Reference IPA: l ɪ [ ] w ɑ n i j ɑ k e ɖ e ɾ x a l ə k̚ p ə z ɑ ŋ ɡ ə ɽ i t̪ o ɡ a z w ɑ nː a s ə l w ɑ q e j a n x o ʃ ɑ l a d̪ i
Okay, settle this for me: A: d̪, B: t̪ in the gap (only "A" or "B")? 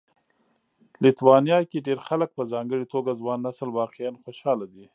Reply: B